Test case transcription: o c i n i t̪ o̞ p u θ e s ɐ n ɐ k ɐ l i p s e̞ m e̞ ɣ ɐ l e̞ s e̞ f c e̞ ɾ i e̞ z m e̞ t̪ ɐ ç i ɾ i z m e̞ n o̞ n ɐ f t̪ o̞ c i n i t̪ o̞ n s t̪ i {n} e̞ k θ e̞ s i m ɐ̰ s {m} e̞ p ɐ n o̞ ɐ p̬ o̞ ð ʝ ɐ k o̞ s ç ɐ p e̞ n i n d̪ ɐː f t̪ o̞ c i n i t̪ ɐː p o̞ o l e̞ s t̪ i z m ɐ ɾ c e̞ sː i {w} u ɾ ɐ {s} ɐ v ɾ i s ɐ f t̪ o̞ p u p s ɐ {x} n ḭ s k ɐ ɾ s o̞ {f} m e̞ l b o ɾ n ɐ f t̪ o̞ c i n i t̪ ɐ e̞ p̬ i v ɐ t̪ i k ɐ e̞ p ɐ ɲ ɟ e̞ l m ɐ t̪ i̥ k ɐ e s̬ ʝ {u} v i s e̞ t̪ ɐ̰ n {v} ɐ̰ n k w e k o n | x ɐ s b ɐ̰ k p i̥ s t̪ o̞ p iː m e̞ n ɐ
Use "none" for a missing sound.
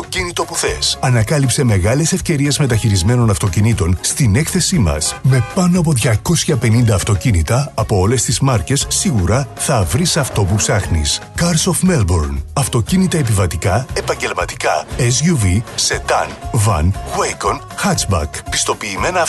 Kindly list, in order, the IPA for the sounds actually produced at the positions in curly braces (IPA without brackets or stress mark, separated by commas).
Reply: n, m, ɣ, θ, x, f, u, v